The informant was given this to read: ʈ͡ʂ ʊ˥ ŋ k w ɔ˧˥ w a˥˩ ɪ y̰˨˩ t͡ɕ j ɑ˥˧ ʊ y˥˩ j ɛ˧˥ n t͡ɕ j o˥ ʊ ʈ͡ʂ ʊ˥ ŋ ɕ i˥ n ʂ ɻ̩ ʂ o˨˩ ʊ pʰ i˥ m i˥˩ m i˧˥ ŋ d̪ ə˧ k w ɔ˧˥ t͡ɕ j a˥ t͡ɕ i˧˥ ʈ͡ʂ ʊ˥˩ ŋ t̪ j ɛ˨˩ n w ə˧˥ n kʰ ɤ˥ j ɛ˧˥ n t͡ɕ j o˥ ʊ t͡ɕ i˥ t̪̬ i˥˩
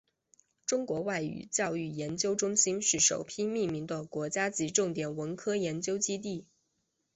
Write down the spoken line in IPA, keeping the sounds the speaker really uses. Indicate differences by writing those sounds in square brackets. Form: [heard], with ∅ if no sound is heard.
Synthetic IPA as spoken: ʈ͡ʂ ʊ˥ ŋ k w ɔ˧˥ w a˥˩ ɪ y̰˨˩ t͡ɕ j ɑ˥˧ ʊ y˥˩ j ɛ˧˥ n t͡ɕ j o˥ ʊ ʈ͡ʂ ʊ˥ ŋ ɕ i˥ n ʂ ɻ̩ ʂ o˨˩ ʊ pʰ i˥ m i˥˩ m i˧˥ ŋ d̪ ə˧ k w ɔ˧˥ t͡ɕ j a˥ t͡ɕ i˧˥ ʈ͡ʂ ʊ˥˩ ŋ t̪ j ɛ˨˩ n w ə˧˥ n kʰ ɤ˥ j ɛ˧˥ n t͡ɕ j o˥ ʊ t͡ɕ i˥ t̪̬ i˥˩